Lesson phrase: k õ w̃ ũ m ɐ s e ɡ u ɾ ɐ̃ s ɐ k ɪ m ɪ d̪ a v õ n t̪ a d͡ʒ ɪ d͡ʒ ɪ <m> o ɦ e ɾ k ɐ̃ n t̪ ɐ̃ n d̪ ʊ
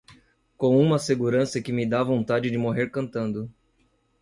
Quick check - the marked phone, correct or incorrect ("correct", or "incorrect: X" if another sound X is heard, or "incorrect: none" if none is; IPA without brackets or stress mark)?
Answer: correct